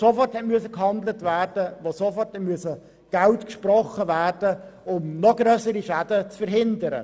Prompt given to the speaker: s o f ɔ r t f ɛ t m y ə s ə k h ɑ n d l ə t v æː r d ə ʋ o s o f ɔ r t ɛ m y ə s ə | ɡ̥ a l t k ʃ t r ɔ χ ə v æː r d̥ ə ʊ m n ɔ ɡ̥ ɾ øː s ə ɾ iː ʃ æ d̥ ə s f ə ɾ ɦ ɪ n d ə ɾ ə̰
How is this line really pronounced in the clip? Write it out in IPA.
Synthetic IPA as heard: s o f ɔ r t h ɛ t m y ə s ə k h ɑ n d l ə t v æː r d ə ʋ o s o f ɔ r t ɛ m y ə s ə | ɡ̥ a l t k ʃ p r ɔ χ ə v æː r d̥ ə ʊ m n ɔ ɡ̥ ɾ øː s ə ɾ i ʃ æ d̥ ə t͡s f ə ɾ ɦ ɪ n d ə ɾ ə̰